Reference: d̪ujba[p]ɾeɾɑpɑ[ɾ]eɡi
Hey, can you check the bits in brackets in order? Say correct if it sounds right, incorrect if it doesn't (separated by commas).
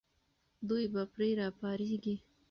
correct, correct